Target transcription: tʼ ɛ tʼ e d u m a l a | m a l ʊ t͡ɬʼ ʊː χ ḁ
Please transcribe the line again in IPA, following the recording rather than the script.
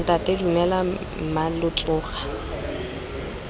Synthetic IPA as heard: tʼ a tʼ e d u m ɛ l a | m a l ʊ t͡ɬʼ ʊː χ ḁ